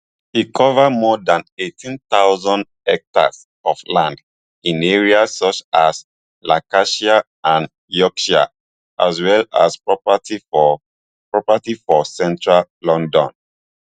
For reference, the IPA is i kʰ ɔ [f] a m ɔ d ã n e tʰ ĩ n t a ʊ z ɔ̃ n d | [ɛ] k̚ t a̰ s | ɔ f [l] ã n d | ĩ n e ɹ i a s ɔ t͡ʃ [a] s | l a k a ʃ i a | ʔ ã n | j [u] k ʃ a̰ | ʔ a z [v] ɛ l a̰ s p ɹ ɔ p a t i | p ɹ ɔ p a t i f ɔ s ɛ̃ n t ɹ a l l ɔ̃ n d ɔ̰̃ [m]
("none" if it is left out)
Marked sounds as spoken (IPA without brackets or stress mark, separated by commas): v, ɛ, l, a, ɔ, w, n